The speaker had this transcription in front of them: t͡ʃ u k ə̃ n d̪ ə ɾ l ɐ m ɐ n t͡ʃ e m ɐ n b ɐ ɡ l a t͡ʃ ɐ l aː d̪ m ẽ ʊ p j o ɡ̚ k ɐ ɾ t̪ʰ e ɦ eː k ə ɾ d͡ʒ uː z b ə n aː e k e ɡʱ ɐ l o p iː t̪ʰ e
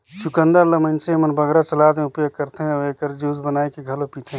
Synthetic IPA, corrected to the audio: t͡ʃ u k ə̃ n d̪ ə ɾ l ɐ m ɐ n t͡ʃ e m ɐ n b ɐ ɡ ɾ a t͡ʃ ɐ l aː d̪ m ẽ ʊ p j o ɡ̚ k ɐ ɾ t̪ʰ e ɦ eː k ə ɾ d͡ʒ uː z b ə n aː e k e ɡʱ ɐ l o p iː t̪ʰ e